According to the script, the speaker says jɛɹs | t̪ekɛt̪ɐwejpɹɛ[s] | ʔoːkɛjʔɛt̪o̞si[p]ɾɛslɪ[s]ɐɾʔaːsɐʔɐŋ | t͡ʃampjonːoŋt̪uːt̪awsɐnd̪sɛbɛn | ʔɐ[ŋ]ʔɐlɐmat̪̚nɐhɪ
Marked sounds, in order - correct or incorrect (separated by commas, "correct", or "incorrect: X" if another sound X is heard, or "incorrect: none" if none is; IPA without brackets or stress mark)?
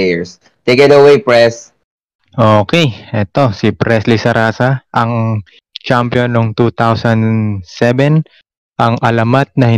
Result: correct, correct, correct, correct